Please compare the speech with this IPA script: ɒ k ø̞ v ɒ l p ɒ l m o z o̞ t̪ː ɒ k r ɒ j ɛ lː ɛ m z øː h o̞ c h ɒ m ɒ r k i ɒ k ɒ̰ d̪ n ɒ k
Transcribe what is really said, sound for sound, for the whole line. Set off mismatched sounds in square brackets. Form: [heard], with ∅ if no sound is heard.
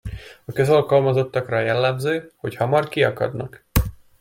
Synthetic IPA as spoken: ɒ k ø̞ [z] ɒ l [k] ɒ l m [ɒ] z o̞ t̪ː ɒ k r ɒ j ɛ lː ɛ m z øː h o̞ c h ɒ m ɒ r k i ɒ k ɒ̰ d̪ n ɒ k